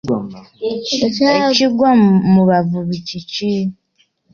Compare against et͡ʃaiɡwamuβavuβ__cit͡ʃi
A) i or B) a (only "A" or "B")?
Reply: A